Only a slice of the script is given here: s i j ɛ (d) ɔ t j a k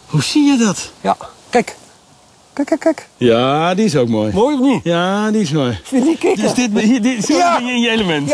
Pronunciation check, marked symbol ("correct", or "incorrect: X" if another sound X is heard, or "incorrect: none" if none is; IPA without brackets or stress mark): correct